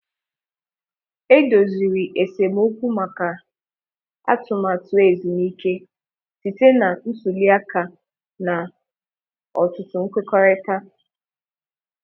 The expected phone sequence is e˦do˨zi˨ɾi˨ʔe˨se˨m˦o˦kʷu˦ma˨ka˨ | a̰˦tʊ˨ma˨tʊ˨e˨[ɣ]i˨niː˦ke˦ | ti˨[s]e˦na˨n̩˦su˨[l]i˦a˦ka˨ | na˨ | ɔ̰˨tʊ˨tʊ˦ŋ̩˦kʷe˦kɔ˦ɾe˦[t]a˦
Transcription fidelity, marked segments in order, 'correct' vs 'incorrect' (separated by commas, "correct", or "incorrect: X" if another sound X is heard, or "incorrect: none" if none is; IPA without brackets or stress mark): incorrect: z, incorrect: t, correct, correct